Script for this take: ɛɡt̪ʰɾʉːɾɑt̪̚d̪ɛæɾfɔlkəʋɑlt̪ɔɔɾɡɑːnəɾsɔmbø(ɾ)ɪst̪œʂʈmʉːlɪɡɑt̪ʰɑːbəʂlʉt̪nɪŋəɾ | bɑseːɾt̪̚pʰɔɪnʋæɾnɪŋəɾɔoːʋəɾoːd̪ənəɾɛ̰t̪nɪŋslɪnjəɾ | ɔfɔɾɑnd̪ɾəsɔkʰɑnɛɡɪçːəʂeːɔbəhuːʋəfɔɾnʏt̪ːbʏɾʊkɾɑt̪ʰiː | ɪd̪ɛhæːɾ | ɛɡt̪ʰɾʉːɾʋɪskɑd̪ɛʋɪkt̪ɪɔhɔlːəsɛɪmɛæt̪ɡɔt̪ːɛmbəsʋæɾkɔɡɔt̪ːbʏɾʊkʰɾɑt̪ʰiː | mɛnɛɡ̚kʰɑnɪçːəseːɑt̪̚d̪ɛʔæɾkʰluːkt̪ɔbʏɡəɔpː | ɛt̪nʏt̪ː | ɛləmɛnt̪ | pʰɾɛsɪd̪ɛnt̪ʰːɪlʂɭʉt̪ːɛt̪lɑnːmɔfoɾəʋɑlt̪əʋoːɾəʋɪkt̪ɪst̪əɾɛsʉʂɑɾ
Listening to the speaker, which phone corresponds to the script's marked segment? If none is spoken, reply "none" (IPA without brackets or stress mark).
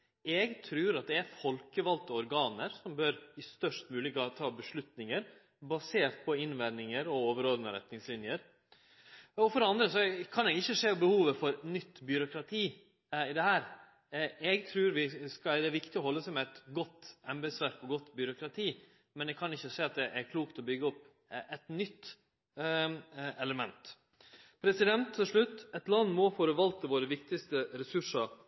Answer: ɾ